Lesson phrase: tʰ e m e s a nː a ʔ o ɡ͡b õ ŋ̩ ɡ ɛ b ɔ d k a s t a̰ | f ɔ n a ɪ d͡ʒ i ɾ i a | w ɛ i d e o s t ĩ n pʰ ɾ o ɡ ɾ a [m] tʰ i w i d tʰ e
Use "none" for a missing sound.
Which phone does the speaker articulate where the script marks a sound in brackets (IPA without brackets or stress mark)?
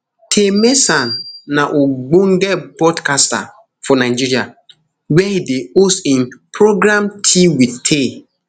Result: m